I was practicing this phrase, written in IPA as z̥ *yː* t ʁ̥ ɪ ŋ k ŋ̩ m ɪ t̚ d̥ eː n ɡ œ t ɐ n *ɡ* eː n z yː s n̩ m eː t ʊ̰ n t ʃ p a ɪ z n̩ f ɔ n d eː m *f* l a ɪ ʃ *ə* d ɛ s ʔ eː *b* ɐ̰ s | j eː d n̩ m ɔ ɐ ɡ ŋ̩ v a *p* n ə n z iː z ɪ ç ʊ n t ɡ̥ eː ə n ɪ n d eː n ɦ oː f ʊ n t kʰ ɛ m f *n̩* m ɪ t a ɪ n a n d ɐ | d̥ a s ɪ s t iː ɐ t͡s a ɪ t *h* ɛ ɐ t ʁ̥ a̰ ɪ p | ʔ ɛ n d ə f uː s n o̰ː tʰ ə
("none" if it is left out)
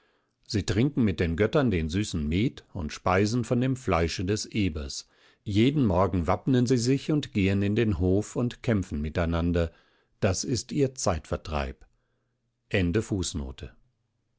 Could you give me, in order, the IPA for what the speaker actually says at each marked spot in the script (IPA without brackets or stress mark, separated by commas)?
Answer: iː, d, f, ə, b, p, n̩, f